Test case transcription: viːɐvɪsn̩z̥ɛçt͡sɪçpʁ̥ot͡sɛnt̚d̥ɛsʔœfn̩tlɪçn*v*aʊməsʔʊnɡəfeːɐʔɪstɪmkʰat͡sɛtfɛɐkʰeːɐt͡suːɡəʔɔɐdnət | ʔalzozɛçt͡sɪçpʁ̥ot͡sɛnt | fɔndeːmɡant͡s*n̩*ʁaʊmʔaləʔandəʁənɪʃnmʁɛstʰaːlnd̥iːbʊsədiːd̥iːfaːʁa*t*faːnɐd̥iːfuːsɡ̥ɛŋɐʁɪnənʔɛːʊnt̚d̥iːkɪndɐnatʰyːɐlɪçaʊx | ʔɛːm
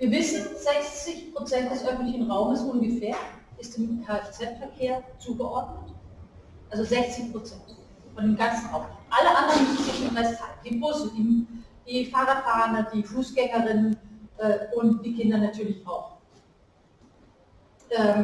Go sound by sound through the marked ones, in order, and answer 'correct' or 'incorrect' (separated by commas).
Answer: incorrect, correct, correct